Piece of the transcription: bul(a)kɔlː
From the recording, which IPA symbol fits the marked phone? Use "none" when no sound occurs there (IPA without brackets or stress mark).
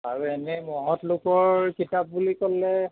i